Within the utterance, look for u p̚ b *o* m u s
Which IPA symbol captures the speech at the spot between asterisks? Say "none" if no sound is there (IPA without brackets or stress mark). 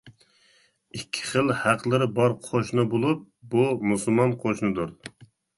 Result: u